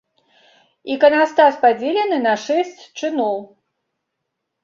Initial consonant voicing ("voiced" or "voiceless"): voiceless